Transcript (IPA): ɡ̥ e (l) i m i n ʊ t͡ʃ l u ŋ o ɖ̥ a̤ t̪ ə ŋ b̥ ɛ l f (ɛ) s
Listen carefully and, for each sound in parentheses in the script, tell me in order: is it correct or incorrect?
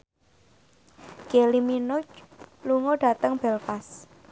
correct, incorrect: a

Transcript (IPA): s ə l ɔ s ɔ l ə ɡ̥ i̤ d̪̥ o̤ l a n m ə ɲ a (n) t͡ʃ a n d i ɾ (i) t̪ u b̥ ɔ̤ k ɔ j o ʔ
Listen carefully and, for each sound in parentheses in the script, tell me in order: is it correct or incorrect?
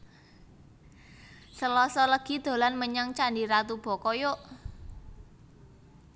incorrect: ŋ, incorrect: a

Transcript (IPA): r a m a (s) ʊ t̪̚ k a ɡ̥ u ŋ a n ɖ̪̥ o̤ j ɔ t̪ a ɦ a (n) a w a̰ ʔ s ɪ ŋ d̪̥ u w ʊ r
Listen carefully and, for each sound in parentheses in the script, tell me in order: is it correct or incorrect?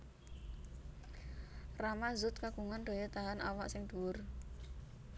incorrect: z, correct

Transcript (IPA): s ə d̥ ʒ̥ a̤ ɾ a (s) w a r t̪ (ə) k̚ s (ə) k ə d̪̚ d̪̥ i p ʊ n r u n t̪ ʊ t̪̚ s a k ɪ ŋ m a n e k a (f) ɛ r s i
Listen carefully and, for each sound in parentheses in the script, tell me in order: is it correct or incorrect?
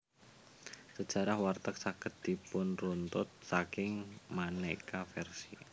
incorrect: h, correct, incorrect: a, correct

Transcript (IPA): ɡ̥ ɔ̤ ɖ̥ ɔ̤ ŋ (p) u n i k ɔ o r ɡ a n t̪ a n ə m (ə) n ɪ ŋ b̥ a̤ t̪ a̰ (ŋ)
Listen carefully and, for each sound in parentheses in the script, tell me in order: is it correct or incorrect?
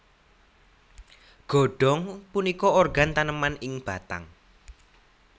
correct, incorrect: a, correct

